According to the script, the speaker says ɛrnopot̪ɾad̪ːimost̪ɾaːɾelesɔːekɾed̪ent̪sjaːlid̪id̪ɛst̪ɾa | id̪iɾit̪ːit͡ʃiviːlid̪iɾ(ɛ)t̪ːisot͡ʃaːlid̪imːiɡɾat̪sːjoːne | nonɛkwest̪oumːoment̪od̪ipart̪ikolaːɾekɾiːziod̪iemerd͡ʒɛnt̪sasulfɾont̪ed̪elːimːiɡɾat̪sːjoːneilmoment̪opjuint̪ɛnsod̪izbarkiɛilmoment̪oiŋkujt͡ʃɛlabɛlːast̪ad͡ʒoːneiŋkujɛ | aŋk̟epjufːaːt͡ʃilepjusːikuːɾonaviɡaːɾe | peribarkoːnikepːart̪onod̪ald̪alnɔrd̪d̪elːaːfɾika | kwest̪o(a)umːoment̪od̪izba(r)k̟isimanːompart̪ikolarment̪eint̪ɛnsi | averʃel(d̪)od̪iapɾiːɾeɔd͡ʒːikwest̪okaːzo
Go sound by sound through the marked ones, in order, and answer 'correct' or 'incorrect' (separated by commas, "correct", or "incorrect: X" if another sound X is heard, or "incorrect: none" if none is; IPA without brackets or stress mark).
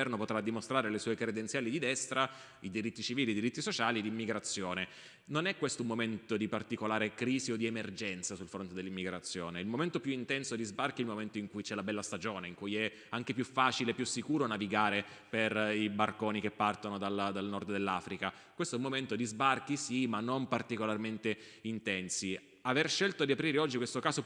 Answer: incorrect: i, incorrect: ɛ, correct, incorrect: t̪